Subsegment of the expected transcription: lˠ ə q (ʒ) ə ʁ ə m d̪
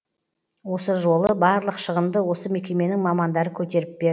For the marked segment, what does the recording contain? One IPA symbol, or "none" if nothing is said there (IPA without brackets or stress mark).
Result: ʃ